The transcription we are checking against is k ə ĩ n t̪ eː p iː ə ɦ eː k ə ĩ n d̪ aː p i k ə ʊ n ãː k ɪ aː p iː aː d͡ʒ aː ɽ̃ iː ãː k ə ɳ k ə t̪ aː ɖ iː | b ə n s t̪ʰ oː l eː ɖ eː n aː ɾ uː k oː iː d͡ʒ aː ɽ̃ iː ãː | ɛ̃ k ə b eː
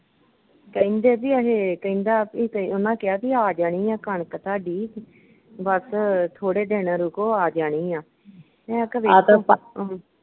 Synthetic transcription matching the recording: k ə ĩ n d̪ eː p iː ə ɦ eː k ə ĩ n d̪ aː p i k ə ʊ n ãː k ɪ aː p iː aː d͡ʒ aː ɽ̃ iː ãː k ə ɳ k ə t̪ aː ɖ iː | b ə s t̪ʰ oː ɽ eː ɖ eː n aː ɾ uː k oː aː d͡ʒ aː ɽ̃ iː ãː | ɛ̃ k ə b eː